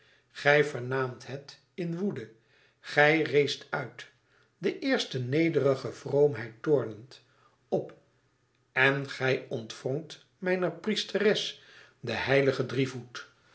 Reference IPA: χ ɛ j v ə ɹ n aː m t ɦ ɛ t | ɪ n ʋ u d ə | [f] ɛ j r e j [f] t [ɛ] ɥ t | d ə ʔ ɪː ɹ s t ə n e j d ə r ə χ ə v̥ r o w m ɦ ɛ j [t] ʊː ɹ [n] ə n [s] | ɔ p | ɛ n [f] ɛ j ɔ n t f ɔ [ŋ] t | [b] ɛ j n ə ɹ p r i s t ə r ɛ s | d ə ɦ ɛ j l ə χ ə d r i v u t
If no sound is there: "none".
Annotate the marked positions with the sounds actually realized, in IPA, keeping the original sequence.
χ, s, œ, t, n, t, χ, ŋ, m

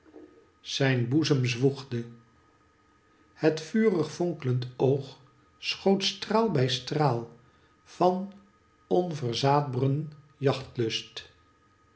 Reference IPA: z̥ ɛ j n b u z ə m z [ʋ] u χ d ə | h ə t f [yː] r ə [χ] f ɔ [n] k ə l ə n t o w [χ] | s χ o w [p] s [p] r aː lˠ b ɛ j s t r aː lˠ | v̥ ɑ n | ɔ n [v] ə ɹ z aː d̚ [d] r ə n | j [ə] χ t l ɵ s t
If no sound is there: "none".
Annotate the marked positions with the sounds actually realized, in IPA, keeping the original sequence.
ʋ, yː, χ, ŋ, χ, t, t, v, b, ɑ

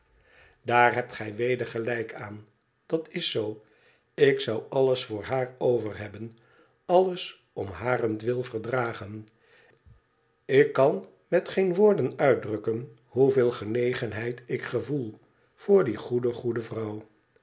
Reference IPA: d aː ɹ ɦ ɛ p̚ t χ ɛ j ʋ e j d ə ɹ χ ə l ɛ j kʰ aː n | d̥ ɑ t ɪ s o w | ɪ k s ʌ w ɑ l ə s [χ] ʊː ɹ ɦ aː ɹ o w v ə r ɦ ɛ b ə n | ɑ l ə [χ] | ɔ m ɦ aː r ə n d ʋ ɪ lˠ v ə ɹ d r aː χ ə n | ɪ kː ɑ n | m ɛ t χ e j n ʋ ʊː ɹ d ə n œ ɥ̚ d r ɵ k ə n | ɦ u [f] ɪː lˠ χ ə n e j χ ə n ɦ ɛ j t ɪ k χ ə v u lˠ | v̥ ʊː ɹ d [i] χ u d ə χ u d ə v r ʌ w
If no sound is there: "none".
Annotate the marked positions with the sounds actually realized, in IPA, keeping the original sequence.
f, s, v, i

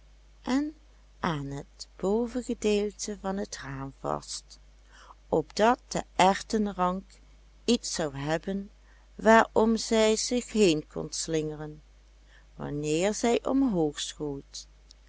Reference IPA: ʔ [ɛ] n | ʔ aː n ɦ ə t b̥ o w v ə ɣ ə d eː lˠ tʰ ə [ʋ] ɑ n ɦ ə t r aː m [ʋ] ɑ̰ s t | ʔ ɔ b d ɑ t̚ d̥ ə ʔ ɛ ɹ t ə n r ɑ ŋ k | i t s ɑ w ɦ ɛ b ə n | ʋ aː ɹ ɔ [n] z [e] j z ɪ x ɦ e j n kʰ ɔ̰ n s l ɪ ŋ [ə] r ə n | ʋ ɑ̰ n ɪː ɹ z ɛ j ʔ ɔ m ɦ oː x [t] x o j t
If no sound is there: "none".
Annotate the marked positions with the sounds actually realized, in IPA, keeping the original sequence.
ɛ, v, v, m, ɛ, ə, s

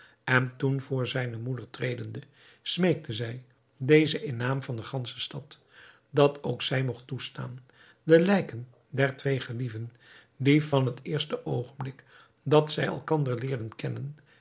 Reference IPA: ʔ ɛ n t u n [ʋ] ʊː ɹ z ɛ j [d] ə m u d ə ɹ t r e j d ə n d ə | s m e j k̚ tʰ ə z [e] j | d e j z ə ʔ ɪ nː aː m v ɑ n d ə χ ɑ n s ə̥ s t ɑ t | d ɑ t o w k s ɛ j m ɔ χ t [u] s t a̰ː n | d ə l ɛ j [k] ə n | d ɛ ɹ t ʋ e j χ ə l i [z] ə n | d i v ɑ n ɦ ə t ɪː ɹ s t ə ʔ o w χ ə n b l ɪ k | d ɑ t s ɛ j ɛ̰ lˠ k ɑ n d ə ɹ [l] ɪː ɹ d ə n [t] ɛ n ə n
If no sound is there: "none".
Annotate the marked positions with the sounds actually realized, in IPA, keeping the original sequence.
v, n, ɛ, u, k, v, l, k

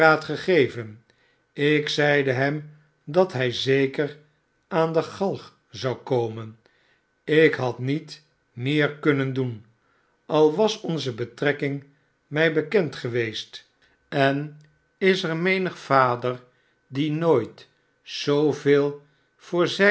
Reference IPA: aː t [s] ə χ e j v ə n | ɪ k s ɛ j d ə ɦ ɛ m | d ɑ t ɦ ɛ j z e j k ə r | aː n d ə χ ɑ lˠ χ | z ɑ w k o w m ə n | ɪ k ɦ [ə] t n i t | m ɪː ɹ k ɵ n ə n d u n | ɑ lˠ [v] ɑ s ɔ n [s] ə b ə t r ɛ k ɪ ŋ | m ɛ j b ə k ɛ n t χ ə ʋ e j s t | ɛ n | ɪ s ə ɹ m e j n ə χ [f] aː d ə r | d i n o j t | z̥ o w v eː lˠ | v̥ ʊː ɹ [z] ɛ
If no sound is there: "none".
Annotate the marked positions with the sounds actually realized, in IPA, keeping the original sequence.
χ, ɑ, ʋ, z, f, z

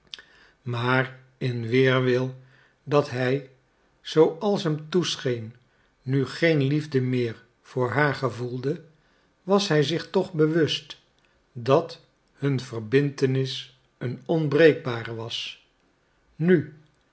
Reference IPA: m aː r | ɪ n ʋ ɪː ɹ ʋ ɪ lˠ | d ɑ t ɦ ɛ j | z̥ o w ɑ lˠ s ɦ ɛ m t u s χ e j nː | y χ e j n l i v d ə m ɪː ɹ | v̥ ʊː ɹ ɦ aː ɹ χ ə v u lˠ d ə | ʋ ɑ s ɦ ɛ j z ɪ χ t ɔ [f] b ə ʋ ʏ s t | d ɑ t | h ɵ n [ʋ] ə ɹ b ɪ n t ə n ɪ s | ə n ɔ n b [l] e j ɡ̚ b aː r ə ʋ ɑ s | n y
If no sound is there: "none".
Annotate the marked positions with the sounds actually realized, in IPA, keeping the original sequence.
χ, v, r

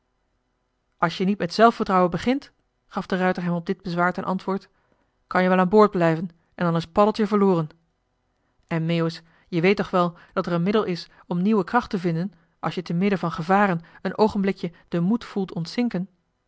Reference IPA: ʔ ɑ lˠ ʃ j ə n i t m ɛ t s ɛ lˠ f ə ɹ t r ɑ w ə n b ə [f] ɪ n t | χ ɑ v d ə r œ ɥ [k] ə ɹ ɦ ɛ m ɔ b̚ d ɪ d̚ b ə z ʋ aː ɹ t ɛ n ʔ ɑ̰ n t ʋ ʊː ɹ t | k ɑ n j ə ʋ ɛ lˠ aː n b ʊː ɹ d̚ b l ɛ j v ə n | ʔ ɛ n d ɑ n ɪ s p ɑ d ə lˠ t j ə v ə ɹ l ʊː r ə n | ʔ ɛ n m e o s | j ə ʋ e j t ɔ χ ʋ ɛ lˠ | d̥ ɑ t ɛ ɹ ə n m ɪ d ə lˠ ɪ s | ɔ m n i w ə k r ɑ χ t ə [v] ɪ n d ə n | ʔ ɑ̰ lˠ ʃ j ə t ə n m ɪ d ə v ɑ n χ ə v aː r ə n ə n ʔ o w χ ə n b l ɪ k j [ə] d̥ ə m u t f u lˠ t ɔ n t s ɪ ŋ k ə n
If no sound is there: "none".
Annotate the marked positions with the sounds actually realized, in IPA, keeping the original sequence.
χ, t, v, ə

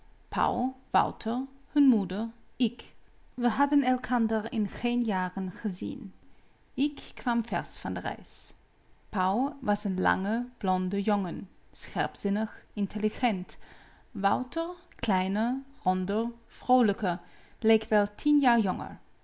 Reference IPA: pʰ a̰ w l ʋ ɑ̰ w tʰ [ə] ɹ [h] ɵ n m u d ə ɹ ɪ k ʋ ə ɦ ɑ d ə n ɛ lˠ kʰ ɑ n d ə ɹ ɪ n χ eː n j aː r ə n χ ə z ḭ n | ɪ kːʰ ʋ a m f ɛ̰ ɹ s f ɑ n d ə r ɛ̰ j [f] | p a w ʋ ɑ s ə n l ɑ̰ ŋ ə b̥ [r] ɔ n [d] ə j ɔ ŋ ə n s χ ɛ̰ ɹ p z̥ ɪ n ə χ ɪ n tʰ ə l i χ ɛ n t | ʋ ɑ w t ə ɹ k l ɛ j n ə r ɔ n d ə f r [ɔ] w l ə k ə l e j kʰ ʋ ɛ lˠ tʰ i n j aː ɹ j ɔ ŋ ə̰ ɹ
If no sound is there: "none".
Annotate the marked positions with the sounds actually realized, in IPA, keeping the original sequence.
ə, h, s, l, d, o

